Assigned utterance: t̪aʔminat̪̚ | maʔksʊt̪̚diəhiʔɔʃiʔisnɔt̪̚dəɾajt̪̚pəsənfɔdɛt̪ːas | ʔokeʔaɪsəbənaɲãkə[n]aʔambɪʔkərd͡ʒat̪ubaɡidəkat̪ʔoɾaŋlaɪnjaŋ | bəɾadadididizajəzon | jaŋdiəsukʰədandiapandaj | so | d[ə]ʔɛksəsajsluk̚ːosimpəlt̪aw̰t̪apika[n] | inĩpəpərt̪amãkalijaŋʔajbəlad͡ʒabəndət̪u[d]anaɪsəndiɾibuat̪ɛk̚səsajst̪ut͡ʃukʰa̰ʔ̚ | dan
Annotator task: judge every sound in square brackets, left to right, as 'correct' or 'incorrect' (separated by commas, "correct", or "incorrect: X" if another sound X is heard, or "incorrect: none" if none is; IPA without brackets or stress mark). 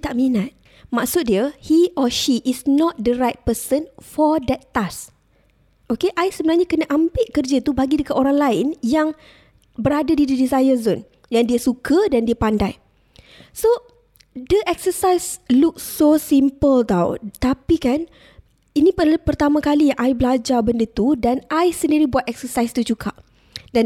correct, correct, correct, correct